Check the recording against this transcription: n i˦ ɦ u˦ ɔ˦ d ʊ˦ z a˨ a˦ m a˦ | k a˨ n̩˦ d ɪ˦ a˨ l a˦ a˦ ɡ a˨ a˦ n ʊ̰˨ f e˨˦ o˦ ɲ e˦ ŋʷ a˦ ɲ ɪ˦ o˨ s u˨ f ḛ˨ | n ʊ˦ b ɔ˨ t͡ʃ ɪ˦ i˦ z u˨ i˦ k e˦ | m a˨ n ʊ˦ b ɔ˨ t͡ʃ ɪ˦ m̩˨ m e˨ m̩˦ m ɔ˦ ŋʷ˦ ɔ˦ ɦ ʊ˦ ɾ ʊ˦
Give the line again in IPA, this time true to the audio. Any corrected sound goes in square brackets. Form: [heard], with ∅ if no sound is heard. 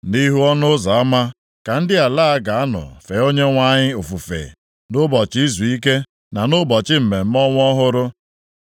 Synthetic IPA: n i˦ ɦ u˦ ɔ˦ [n] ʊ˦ z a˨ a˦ m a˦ | k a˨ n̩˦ d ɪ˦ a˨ l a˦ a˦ ɡ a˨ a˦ n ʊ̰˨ f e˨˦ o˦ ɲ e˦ ŋʷ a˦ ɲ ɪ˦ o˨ [f] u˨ f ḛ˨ | n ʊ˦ b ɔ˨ t͡ʃ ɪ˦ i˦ z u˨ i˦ k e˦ | [n] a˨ n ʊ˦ b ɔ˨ t͡ʃ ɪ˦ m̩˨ m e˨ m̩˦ m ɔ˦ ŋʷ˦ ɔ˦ ɦ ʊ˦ ɾ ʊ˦

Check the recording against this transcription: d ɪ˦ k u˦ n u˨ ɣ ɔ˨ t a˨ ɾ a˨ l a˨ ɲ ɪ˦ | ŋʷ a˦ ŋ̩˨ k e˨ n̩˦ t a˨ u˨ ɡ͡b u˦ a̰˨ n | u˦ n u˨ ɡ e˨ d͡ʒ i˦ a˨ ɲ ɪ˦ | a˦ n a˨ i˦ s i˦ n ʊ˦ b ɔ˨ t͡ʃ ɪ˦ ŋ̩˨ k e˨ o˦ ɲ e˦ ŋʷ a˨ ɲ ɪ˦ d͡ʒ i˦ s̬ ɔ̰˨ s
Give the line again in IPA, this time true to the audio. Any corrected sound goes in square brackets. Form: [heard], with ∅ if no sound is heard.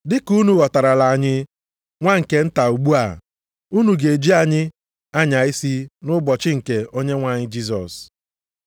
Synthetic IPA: d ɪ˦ k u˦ n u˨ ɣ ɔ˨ t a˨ ɾ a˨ l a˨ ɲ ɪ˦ | ŋʷ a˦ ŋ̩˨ k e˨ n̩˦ t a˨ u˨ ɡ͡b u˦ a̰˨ [∅] | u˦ n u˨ ɡ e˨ d͡ʒ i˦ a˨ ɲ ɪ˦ | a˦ [ɲ] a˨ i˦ s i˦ n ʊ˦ b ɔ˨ t͡ʃ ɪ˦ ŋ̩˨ k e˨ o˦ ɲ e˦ ŋʷ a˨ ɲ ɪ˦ d͡ʒ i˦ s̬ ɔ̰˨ s

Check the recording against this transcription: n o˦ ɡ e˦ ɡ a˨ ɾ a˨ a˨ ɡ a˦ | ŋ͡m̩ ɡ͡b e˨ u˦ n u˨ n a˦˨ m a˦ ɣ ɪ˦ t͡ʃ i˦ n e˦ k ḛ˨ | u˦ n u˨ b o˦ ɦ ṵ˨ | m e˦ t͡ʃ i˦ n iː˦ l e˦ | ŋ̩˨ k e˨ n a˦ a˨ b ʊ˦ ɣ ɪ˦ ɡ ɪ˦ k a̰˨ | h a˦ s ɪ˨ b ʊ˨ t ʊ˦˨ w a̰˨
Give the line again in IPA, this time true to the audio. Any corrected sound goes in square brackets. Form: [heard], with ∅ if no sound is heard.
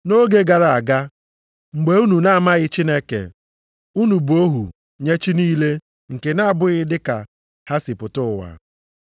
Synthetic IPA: n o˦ ɡ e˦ ɡ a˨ ɾ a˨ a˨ ɡ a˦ | ŋ͡m̩ ɡ͡b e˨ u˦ n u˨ n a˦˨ m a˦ ɣ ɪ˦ t͡ʃ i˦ n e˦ k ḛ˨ | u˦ n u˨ b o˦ ɦ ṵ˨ | [ɲ] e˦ t͡ʃ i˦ n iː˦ l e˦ | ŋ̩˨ k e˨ n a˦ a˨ b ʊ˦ ɣ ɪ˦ [d] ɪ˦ k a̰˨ | h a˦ s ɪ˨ [p] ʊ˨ t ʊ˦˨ w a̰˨

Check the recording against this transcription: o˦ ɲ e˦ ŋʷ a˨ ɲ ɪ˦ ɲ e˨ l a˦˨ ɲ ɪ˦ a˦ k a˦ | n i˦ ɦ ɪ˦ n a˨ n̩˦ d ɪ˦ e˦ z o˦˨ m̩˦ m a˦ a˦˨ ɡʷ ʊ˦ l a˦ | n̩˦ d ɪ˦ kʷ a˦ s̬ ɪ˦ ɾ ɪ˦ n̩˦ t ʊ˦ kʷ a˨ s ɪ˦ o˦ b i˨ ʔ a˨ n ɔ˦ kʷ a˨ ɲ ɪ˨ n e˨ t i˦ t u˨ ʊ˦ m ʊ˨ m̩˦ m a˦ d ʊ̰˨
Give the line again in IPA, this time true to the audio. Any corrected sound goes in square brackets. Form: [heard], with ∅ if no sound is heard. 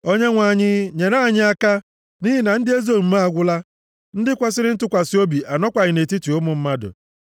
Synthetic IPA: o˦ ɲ e˦ ŋʷ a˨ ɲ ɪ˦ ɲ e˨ [ɾ] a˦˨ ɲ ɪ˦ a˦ k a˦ | n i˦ ɦ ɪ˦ n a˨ n̩˦ d ɪ˦ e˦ z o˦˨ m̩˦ m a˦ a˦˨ ɡʷ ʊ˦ l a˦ | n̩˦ d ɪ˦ kʷ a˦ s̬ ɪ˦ ɾ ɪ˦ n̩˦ t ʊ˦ kʷ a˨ s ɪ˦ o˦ b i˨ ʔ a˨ n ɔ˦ kʷ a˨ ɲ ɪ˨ n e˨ t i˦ t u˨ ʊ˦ m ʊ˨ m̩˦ m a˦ d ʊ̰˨

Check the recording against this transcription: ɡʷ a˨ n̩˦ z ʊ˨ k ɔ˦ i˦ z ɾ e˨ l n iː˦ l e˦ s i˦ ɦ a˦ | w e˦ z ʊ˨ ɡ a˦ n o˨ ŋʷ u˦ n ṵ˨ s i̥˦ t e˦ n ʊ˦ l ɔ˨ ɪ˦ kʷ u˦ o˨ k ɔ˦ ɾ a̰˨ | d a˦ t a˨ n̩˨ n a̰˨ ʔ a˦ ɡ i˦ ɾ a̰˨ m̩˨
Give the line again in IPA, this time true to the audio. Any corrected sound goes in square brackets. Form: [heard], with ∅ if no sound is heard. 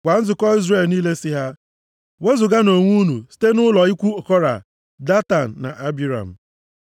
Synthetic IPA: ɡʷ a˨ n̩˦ z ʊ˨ k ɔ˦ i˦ z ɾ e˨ l n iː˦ l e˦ s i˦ ɦ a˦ | w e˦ z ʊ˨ ɡ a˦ n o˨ ŋʷ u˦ n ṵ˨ s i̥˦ t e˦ n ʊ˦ l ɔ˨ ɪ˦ kʷ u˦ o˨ k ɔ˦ ɾ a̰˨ | d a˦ t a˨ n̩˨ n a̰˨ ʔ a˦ [b] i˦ ɾ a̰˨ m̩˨

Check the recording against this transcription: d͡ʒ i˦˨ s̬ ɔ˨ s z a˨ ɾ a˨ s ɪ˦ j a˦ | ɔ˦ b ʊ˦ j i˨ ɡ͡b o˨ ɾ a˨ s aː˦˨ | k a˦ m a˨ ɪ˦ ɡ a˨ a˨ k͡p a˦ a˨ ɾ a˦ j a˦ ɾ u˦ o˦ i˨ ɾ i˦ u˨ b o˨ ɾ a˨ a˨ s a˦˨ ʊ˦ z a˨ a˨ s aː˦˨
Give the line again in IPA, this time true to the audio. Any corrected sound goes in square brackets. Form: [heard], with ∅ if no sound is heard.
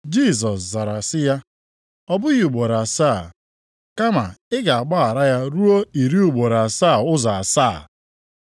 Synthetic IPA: d͡ʒ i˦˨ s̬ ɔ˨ s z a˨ ɾ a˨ s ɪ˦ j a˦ | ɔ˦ b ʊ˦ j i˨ ɡ͡b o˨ ɾ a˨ s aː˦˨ | k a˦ m a˨ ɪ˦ ɡ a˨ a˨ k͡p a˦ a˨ ɾ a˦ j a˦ ɾ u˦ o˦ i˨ ɾ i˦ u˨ [ɡ͡b] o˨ ɾ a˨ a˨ s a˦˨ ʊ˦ z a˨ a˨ s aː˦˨

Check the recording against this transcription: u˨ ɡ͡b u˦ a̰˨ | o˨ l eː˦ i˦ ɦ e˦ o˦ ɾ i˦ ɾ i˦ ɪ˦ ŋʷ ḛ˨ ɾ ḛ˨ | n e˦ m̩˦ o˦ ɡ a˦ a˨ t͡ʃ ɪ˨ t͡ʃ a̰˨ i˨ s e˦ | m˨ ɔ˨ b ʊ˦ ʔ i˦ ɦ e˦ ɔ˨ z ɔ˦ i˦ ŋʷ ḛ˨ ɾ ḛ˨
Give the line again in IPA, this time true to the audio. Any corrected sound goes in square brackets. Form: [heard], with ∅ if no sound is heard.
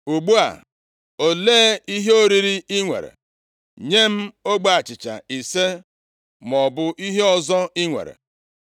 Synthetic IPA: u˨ ɡ͡b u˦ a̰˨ | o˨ l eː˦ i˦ ɦ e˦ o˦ ɾ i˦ ɾ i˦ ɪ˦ ŋʷ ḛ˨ ɾ ḛ˨ | [ɲ] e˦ m̩˦ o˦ [ɡ͡b] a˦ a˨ t͡ʃ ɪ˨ t͡ʃ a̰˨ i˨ s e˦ | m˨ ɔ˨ b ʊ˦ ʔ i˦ ɦ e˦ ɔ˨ z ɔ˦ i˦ ŋʷ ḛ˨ ɾ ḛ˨

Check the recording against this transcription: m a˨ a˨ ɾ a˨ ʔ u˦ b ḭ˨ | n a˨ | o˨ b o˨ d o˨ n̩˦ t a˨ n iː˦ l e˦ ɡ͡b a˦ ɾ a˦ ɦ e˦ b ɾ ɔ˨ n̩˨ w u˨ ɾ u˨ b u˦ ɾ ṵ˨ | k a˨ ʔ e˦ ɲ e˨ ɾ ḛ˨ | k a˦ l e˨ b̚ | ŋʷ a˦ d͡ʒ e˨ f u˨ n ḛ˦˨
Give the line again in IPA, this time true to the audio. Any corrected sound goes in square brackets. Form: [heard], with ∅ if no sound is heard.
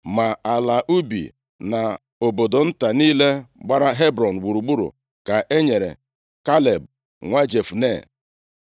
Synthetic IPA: m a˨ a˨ [l] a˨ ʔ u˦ b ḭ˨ | n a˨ | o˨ b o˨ d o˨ n̩˦ t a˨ n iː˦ l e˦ ɡ͡b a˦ ɾ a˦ ɦ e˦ b ɾ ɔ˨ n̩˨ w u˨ ɾ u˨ [ɡ͡b] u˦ ɾ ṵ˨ | k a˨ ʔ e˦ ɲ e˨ ɾ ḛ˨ | k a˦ l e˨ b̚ | ŋʷ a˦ d͡ʒ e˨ f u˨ n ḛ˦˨

